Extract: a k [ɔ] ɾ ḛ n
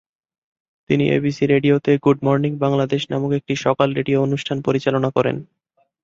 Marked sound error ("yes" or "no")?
no